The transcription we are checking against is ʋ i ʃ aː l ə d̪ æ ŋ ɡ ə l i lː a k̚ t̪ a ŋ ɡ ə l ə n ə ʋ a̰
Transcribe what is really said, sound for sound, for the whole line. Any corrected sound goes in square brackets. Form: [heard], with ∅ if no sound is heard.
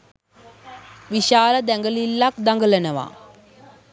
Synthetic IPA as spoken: ʋ i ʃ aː l ə d̪ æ ŋ ɡ ə l i lː a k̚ [d̪] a ŋ ɡ ə l ə n ə ʋ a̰